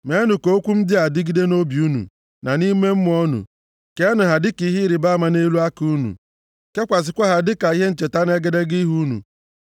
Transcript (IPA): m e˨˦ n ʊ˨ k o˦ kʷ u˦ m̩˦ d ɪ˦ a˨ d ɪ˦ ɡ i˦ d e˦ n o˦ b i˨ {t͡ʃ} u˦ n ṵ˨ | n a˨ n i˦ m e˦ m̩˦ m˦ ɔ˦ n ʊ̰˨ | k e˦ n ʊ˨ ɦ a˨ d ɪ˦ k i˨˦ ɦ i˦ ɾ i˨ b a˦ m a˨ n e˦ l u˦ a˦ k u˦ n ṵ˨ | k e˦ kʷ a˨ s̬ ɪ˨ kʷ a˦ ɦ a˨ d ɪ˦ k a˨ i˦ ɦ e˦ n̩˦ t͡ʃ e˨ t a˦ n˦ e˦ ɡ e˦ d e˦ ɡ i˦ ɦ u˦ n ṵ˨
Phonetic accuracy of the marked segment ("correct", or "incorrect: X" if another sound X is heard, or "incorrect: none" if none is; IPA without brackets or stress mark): incorrect: none